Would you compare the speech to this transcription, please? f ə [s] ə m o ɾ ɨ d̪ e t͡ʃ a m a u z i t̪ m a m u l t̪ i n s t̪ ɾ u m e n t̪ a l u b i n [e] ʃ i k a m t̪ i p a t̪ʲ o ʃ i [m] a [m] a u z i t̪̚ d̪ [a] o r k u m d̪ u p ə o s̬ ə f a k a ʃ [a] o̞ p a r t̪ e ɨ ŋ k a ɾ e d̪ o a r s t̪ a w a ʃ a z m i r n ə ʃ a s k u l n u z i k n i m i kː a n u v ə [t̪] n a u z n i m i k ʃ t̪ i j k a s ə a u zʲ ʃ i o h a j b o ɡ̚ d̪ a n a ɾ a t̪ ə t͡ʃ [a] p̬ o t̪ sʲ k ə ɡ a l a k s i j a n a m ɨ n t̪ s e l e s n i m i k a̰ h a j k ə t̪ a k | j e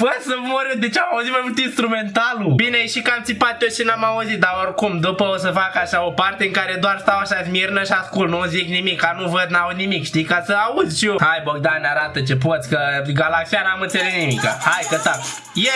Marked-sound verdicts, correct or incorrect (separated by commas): correct, correct, incorrect, correct, correct, correct, incorrect, incorrect